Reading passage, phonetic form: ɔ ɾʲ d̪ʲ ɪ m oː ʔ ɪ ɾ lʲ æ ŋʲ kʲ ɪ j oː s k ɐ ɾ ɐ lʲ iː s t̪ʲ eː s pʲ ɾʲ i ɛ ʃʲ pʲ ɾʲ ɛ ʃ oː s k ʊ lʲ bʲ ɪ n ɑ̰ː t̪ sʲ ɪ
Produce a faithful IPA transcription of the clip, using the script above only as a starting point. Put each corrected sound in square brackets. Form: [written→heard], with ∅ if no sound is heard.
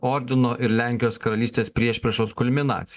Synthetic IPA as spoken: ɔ ɾʲ d̪ʲ ɪ [m→n] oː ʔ ɪ ɾ lʲ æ ŋʲ kʲ ɪ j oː s k ɐ ɾ ɐ lʲ iː s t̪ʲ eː s pʲ ɾʲ i ɛ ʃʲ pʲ ɾʲ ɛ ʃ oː s k ʊ lʲ [bʲ→mʲ] ɪ n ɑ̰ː t̪ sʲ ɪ